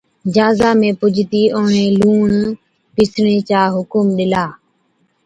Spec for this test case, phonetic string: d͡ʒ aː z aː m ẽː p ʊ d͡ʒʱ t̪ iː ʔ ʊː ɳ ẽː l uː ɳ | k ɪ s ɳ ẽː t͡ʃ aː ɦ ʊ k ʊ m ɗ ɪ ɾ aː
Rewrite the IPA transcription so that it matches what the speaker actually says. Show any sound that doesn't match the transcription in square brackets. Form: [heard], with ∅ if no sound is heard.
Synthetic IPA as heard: d͡ʒ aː z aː m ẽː p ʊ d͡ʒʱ t̪ iː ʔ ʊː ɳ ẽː l uː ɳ | [p] ɪ s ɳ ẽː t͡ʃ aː ɦ ʊ k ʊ m ɗ ɪ [l] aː